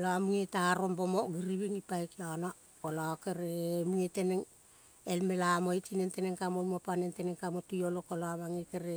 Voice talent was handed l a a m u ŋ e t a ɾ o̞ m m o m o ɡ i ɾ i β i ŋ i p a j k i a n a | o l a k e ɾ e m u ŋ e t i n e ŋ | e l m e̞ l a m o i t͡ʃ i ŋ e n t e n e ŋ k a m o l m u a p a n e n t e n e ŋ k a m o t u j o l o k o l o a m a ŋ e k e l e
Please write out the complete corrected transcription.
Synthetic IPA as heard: l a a m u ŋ e t a ɾ o̞ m b o m o ɡ i ɾ i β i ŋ i p a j k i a n a | o l a k e ɾ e m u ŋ e t e n e ŋ | e l m e̞ l a m o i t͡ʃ i n e n t e n e ŋ k a m o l m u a p a n e n t e n e ŋ k a m o t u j o l o k o l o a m a ŋ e k e ɾ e